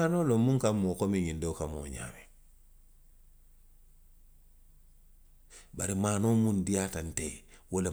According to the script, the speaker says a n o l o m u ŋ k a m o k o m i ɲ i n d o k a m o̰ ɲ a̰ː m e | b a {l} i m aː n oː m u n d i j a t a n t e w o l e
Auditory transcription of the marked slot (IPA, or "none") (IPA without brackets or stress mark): ɾ